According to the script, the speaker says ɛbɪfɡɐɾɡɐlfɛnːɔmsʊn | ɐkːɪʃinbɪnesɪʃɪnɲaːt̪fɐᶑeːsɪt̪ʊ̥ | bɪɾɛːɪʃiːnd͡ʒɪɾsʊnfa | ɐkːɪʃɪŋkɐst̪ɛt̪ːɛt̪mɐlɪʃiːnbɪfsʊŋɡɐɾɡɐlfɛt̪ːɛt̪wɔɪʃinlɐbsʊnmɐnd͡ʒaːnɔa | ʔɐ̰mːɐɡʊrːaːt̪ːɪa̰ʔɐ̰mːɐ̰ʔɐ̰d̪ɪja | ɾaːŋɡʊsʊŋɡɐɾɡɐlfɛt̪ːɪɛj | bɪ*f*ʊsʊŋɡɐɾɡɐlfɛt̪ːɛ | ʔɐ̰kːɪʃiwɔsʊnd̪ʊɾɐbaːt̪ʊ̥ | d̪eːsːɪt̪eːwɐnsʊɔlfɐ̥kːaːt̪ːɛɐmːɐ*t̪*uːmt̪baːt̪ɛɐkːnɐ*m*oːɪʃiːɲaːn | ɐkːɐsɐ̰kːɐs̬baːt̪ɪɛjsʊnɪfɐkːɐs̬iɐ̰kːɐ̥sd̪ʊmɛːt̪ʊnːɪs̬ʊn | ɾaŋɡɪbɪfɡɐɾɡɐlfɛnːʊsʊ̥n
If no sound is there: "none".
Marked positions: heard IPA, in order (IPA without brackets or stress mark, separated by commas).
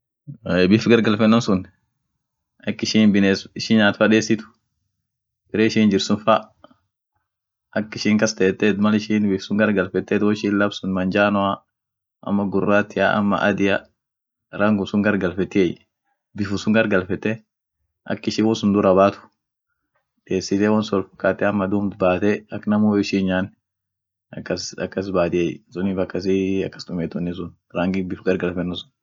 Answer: f, d̪, m